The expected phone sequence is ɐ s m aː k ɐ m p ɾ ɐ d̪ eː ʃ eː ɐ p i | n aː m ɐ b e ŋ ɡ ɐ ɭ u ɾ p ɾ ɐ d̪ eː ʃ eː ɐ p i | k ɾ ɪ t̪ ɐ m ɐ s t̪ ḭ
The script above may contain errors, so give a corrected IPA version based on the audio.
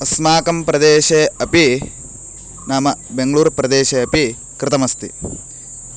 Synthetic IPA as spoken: ɐ s m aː k ɐ m p ɾ ɐ d̪ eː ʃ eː ɐ p i | n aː m ɐ b e ŋ ɡ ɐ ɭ uː ɾ p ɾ ɐ d̪ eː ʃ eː ɐ p i | k ɾ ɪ t̪ ɐ m ɐ s t̪ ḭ